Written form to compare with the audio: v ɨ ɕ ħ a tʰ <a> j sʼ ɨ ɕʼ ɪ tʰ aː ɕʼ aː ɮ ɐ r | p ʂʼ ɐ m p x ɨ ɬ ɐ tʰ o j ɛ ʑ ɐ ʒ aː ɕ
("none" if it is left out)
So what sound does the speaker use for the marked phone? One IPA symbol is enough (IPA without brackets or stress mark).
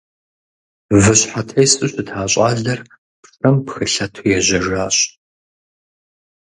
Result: ɐ